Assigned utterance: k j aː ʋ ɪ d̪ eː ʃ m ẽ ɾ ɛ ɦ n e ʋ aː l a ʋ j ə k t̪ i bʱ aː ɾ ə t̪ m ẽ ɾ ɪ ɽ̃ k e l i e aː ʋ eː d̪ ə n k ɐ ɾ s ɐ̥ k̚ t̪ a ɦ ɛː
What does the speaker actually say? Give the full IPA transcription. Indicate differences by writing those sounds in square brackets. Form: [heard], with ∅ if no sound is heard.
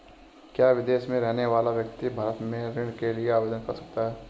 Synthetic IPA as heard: k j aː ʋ ɪ d̪ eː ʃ m ẽ ɾ ɛ ɦ n e ʋ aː l a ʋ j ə k t̪ i bʱ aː ɾ ə t̪ m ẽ ɾ ɪ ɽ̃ k e l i e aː ʋ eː d̪ ə n k ɐ ɾ s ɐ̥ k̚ t̪ a ɦ ɛː